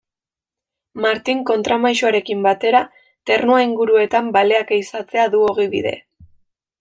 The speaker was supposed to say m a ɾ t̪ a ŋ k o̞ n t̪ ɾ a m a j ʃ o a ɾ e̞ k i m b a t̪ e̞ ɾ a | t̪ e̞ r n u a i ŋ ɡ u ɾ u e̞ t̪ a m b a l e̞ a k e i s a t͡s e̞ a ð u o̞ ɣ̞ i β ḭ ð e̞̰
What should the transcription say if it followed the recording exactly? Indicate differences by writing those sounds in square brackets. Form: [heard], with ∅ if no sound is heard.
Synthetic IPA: m a ɾ t̪ [i] ŋ k o̞ n t̪ ɾ a m a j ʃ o a ɾ e̞ k i m b a t̪ e̞ ɾ a | t̪ e̞ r n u a i ŋ ɡ u ɾ u e̞ t̪ a m b a l e̞ a k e i s a t͡s e̞ a ð u o̞ ɣ̞ i β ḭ ð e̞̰